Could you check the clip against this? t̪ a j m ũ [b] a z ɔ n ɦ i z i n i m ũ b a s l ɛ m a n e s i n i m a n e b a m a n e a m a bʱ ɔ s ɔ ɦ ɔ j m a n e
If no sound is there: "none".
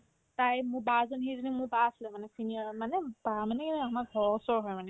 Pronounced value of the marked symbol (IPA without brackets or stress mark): b